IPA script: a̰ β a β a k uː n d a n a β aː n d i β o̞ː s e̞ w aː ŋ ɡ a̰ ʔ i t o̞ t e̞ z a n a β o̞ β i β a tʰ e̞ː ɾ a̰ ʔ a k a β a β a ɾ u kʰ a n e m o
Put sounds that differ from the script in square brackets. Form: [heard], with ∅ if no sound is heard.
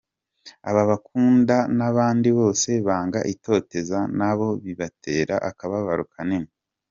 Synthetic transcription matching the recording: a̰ β a β a k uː n d a n a β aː n d i β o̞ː s e̞ [β] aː ŋ ɡ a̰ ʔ i t o̞ t e̞ z a n a β o̞ β i β a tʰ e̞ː ɾ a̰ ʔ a k a β a β a ɾ u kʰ a n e m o